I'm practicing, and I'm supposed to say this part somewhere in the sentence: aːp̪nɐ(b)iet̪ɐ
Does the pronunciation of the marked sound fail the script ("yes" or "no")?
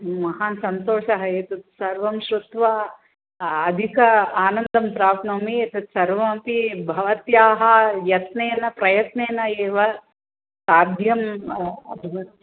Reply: yes